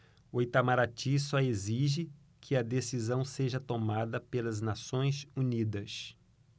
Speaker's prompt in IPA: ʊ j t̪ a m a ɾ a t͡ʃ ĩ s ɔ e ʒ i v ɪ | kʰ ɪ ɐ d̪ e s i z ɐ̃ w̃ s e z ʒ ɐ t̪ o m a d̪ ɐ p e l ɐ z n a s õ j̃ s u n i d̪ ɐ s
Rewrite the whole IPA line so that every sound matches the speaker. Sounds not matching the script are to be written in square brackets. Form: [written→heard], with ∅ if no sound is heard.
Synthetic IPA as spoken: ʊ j t̪ a m a ɾ a t͡ʃ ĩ s ɔ e [ʒ→z] i [v→ʒ] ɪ | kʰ ɪ ɐ d̪ e s i z ɐ̃ w̃ s e [z→∅] ʒ ɐ t̪ o m a d̪ ɐ p e l ɐ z n a s õ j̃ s u n i d̪ ɐ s

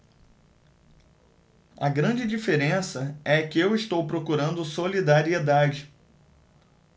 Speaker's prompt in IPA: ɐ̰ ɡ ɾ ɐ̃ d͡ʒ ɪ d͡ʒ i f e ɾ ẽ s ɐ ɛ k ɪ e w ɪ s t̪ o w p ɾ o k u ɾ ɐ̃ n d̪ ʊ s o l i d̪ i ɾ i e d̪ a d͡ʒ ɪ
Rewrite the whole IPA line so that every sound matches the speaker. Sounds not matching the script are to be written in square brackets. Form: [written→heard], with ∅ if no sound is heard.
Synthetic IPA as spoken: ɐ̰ ɡ ɾ ɐ̃ d͡ʒ ɪ d͡ʒ i f e ɾ ẽ s ɐ ɛ k ɪ e w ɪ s t̪ o w p ɾ o k u ɾ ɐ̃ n d̪ ʊ s o l i d̪ [i→a] ɾ i e d̪ a d͡ʒ ɪ

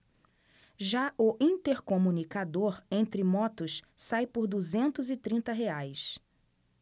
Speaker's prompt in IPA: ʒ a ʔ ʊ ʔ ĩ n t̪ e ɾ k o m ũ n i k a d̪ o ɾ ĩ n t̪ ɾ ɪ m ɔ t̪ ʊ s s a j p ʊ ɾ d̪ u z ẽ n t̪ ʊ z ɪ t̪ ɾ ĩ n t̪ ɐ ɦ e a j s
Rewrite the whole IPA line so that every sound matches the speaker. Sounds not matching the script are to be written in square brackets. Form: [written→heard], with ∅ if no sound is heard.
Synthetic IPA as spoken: ʒ a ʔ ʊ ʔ ĩ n t̪ e ɾ k o m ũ n i k a d̪ o ɾ [ĩ→ẽ] n t̪ ɾ ɪ m ɔ t̪ ʊ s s a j p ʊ ɾ d̪ u z ẽ n t̪ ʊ z ɪ t̪ ɾ ĩ n t̪ ɐ ɦ e a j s

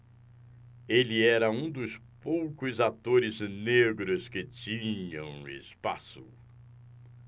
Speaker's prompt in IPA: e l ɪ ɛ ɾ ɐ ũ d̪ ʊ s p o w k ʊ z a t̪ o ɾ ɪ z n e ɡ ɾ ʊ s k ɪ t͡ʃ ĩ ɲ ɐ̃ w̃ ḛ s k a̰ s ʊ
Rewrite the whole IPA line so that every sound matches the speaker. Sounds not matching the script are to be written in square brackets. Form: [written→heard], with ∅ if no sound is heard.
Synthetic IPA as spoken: e l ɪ ɛ ɾ ɐ ũ d̪ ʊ s p o w k ʊ z a t̪ o ɾ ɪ z n e ɡ ɾ ʊ s k ɪ t͡ʃ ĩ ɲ ɐ̃ w̃ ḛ s [k→p] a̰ s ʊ

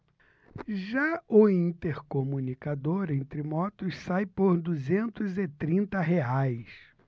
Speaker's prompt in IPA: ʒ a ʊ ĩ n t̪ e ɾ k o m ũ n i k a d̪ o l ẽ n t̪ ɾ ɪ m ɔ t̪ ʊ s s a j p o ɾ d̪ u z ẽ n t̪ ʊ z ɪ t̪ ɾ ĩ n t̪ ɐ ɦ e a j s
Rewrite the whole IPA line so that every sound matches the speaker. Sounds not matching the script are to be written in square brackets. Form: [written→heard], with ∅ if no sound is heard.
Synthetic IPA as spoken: ʒ a ʊ ĩ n t̪ e ɾ k o m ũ n i k a d̪ o [l→ɾ] ẽ n t̪ ɾ ɪ m ɔ t̪ ʊ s s a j p o ɾ d̪ u z ẽ n t̪ ʊ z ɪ t̪ ɾ ĩ n t̪ ɐ ɦ e a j s

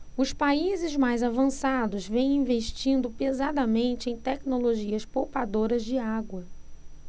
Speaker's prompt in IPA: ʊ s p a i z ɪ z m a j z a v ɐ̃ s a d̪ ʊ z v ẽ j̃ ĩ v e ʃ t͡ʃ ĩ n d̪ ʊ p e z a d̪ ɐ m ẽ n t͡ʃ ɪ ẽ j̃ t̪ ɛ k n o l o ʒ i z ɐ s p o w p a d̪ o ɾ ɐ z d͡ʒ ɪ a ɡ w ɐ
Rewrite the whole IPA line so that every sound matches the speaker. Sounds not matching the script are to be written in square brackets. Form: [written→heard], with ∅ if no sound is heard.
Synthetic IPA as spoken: ʊ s p a i z ɪ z m a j z a v ɐ̃ s a d̪ ʊ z v ẽ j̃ ĩ v e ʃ t͡ʃ ĩ n d̪ ʊ p e z a d̪ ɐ m ẽ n t͡ʃ ɪ ẽ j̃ t̪ ɛ k n o l o ʒ i [z→∅] ɐ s p o w p a d̪ o ɾ ɐ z d͡ʒ ɪ a ɡ w ɐ

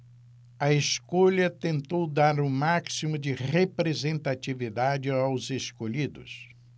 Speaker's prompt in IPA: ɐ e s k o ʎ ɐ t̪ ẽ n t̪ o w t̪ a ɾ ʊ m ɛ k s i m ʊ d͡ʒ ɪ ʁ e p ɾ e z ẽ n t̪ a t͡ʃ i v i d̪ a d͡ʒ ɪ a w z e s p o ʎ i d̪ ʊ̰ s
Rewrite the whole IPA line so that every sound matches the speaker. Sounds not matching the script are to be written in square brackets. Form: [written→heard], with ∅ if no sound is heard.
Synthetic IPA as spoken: ɐ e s k o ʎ ɐ t̪ ẽ n t̪ o w [t̪→d̪] a ɾ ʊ m [ɛ→a] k s i m ʊ d͡ʒ ɪ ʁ e p ɾ e z ẽ n t̪ a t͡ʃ i v i d̪ a d͡ʒ ɪ a w z e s [p→k] o ʎ i d̪ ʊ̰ s

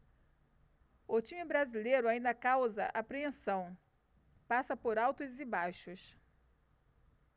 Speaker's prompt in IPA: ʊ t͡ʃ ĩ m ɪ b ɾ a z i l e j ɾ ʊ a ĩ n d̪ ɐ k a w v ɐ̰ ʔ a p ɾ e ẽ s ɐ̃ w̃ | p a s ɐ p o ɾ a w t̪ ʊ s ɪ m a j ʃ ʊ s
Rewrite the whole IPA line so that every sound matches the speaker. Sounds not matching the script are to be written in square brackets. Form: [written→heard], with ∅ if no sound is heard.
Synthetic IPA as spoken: ʊ t͡ʃ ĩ m ɪ b ɾ a z i l e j ɾ ʊ a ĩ n d̪ ɐ k a w [v→z] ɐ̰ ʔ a p ɾ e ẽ s ɐ̃ w̃ | p a s ɐ p o ɾ a w t̪ ʊ [s→z] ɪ [m→b] a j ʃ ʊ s

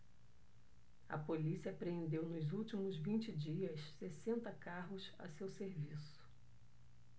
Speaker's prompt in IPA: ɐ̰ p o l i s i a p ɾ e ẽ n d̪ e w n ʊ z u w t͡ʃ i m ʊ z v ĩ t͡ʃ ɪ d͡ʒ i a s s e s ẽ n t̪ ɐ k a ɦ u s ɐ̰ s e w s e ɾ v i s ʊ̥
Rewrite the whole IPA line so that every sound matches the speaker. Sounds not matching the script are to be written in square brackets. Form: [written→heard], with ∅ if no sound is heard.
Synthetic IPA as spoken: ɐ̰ p o l i s i [a→ɐ] p ɾ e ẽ n d̪ e w n ʊ z u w t͡ʃ i m ʊ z v ĩ t͡ʃ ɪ d͡ʒ i [a→ɐ] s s e s ẽ n t̪ ɐ k a ɦ [u→ʊ] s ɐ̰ s e w s e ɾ v i s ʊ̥

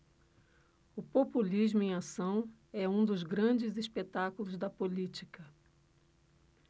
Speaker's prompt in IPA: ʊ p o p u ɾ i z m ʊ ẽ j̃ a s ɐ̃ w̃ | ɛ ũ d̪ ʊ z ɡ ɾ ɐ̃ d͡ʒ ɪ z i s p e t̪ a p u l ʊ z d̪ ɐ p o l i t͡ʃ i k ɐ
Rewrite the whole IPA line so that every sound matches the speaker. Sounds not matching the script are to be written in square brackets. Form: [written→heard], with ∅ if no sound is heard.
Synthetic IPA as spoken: ʊ p o p u [ɾ→l] i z m ʊ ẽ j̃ a s ɐ̃ w̃ | ɛ ũ d̪ ʊ z ɡ ɾ ɐ̃ d͡ʒ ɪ z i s p e t̪ a [p→k] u l ʊ z d̪ ɐ p o l i t͡ʃ i k ɐ

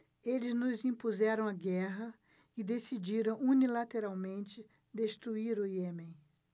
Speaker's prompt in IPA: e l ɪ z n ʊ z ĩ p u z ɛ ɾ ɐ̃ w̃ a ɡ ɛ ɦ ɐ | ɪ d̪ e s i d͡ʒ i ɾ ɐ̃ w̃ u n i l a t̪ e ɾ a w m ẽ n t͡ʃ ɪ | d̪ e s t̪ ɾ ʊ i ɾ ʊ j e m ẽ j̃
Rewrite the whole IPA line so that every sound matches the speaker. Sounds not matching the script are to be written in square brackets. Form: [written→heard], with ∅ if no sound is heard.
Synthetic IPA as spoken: e l ɪ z n ʊ z ĩ p u z ɛ ɾ ɐ̃ w̃ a ɡ ɛ ɦ ɐ | ɪ d̪ e s i d͡ʒ i ɾ ɐ̃ w̃ u n i l a t̪ e ɾ a w m ẽ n t͡ʃ ɪ | d̪ e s t̪ ɾ [ʊ→u] i ɾ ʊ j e m ẽ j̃

